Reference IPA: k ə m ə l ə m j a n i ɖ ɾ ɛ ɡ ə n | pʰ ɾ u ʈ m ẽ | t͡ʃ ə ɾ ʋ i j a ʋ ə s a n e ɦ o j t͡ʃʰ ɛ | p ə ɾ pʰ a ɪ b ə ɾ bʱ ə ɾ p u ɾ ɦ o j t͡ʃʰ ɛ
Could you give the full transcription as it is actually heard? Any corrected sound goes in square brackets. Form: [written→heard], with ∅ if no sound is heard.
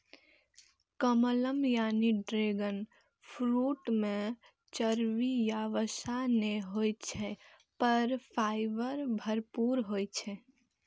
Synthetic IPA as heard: k ə m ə l ə m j a n i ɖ ɾ [ɛ→e] ɡ ə n | pʰ ɾ u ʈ m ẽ | t͡ʃ ə ɾ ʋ i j a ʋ ə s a n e ɦ o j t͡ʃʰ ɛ | p ə ɾ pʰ a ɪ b ə ɾ bʱ ə ɾ p u ɾ ɦ o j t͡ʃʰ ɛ